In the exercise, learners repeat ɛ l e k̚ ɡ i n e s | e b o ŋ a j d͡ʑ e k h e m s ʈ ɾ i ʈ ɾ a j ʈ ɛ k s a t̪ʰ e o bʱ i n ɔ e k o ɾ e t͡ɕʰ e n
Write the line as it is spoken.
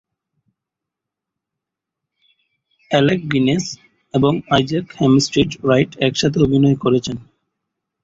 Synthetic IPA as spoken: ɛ l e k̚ ɡ i n e s | e b o ŋ a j d͡ʑ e k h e m s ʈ ɾ i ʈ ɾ a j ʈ ɛ k ʃ a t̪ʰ e o bʱ i n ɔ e k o ɾ e t͡ɕʰ e n